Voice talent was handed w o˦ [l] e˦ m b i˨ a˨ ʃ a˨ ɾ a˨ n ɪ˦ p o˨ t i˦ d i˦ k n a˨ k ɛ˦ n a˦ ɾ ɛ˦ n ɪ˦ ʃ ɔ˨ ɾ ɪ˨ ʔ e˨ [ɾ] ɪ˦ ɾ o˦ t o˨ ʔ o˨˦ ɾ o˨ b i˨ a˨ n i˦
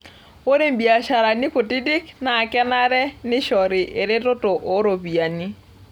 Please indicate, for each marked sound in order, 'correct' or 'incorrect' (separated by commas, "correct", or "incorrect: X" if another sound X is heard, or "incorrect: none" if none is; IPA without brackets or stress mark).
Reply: incorrect: ɾ, correct